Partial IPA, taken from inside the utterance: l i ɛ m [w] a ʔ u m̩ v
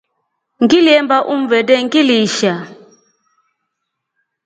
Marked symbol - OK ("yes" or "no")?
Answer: no